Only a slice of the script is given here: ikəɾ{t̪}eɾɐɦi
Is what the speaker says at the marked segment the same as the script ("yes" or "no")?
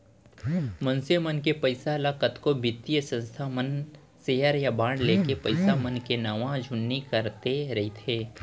yes